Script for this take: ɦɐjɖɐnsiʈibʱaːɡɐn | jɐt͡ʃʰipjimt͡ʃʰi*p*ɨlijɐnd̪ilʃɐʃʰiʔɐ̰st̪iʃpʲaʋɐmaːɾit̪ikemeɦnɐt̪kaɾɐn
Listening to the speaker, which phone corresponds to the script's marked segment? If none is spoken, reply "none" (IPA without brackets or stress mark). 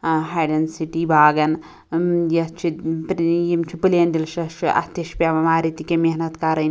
p